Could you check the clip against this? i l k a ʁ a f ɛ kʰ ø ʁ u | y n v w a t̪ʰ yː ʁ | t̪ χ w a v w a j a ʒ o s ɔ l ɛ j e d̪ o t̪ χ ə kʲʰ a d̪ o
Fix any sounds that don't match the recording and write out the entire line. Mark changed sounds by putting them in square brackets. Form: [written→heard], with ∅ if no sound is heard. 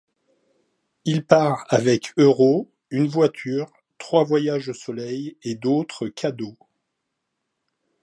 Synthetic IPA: i l [k→p] a ʁ a [f→v] ɛ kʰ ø ʁ [u→o] | y n v w a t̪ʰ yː ʁ | t̪ χ w a v w a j a ʒ o s ɔ l ɛ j e d̪ o t̪ χ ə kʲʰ a d̪ o